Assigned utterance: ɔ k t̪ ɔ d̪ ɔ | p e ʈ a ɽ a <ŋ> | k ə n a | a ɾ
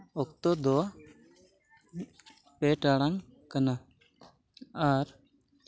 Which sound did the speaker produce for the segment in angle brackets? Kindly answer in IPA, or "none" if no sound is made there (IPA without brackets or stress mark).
ŋ